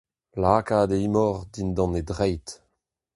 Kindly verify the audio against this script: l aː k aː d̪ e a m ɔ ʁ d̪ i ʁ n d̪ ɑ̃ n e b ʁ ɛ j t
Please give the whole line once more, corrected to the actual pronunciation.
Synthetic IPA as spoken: l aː k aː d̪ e i m ɔ ʁ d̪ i n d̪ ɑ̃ n e d ʁ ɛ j t